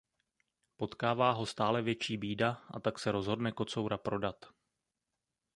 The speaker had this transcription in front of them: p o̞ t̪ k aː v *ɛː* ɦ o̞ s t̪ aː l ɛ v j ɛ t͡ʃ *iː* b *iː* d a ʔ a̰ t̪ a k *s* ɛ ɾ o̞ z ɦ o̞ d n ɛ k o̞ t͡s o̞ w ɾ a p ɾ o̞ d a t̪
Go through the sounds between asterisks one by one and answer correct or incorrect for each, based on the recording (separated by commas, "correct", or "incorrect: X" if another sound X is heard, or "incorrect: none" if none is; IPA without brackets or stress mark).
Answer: incorrect: aː, correct, correct, correct